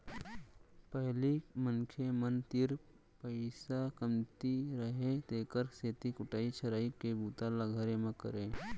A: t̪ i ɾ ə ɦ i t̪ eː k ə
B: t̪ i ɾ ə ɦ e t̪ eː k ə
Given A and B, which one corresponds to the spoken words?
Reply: B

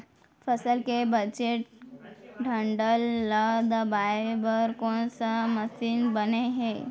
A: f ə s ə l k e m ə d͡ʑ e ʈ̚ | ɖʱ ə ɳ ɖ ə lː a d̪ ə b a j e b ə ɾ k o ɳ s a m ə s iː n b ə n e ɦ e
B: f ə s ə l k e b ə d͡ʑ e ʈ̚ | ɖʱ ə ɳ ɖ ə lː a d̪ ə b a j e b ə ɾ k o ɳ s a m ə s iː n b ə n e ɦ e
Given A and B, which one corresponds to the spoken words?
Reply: B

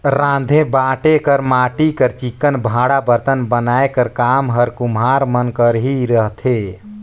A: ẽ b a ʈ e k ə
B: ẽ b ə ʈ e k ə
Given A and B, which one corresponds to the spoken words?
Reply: A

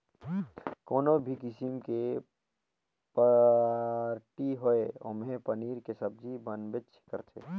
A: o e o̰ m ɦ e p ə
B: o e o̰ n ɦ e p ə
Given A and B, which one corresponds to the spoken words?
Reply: A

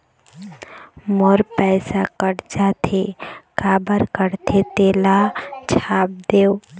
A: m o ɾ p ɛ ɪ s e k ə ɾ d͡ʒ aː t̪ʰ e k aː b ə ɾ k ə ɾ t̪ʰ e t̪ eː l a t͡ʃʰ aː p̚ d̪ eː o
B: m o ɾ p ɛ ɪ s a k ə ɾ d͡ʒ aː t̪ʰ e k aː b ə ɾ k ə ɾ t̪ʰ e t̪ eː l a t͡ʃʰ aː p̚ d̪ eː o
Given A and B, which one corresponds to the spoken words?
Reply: B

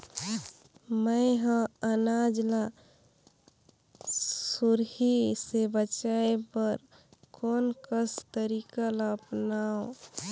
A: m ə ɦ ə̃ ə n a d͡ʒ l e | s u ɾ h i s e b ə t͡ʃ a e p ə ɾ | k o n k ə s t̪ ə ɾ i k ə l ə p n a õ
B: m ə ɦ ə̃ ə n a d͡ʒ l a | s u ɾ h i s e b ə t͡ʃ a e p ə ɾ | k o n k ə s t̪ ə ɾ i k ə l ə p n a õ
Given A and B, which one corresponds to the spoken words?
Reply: B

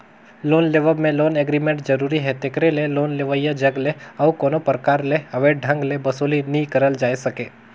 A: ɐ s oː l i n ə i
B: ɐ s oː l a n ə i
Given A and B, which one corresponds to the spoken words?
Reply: A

